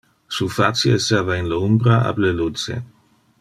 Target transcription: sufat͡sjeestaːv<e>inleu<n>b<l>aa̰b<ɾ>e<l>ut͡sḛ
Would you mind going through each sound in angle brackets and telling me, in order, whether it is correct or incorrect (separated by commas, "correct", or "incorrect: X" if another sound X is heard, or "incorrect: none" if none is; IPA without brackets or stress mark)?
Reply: incorrect: a, incorrect: m, incorrect: ɾ, incorrect: l, correct